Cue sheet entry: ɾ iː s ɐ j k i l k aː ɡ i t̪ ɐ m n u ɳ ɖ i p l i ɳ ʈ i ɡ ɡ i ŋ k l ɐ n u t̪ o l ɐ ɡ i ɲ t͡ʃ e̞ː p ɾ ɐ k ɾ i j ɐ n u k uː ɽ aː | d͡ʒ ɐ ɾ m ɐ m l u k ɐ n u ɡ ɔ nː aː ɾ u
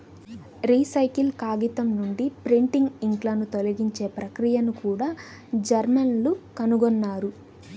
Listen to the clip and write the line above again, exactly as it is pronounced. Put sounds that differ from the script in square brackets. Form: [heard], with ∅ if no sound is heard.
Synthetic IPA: ɾ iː s ɐ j k i l k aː ɡ i t̪ ɐ m n u ɳ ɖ i p [ɾ] i ɳ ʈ i [ŋ] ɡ i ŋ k l ɐ n u t̪ o l ɐ ɡ i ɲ t͡ʃ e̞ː p ɾ ɐ k ɾ i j ɐ n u k uː ɽ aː | d͡ʒ ɐ ɾ m ɐ [n] l u k ɐ n u ɡ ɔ nː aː ɾ u

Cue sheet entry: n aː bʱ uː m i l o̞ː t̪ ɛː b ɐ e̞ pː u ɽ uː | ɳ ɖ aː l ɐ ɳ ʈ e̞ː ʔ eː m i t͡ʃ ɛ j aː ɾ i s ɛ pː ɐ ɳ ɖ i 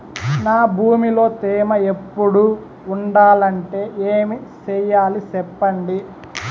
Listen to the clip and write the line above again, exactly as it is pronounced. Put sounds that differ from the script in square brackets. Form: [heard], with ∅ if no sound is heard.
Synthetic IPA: n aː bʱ uː m i l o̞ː t̪ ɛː [m] ɐ e̞ pː u ɽ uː | ɳ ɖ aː l ɐ ɳ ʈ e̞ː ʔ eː m i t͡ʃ ɛ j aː [l] i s ɛ pː ɐ ɳ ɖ i

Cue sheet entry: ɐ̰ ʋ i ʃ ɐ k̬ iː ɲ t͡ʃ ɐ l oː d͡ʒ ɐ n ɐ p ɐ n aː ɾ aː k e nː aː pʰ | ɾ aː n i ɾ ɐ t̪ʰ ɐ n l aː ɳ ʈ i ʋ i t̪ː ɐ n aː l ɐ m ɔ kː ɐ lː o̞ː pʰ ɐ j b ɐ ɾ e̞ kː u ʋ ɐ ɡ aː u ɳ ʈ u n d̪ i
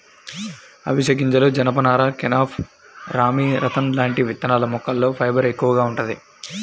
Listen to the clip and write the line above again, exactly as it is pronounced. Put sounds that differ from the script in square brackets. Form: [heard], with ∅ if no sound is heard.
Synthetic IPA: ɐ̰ ʋ i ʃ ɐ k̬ [i] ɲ t͡ʃ ɐ l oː d͡ʒ ɐ n ɐ p ɐ n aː ɾ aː k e [n] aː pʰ | ɾ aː [m] i ɾ ɐ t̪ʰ ɐ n l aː ɳ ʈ i ʋ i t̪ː ɐ n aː l ɐ m ɔ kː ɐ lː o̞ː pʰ ɐ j b ɐ ɾ e̞ kː u ʋ ɐ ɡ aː u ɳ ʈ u n d̪ i

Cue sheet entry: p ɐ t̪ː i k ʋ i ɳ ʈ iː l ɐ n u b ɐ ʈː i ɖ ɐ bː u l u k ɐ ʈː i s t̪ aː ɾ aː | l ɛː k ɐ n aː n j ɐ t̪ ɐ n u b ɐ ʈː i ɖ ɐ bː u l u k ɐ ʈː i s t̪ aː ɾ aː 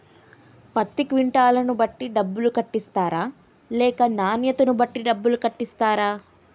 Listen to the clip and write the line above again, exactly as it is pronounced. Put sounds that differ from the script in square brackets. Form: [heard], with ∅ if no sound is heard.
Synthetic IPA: p ɐ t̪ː i k ʋ i ɳ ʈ [aː] l ɐ n u b ɐ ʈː i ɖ ɐ bː u l u k ɐ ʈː i s t̪ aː ɾ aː | l ɛː k ɐ n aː n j ɐ t̪ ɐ n u b ɐ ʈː i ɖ ɐ bː u l u k ɐ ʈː i s t̪ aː ɾ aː

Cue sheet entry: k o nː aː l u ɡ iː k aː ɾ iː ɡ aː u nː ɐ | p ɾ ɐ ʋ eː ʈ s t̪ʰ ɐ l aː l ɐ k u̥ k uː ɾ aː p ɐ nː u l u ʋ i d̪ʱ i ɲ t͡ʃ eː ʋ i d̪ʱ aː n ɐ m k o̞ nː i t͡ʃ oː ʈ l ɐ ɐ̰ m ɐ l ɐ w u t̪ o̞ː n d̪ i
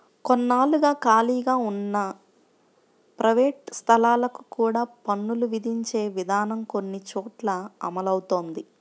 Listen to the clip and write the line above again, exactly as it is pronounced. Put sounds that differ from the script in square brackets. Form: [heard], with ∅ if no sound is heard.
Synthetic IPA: k o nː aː l u ɡ [aː] k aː [l] iː ɡ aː u nː ɐ | p ɾ ɐ ʋ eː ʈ s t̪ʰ ɐ l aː l ɐ k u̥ k uː [ɽ] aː p ɐ nː u l u ʋ i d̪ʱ i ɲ t͡ʃ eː ʋ i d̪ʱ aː n ɐ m k o̞ nː i t͡ʃ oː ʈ l ɐ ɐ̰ m ɐ l ɐ w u t̪ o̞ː n d̪ i

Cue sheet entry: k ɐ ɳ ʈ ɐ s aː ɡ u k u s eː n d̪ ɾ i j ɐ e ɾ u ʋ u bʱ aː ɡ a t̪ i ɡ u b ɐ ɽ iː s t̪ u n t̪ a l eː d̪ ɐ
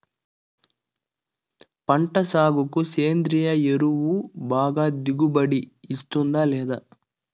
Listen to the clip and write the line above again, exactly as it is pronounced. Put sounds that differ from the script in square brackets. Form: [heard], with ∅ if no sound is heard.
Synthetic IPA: [p] ɐ ɳ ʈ ɐ s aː ɡ u k u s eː n d̪ ɾ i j ɐ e ɾ u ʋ u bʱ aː ɡ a [d̪] i ɡ u b ɐ ɽ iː s t̪ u n [d̪] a l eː d̪ ɐ

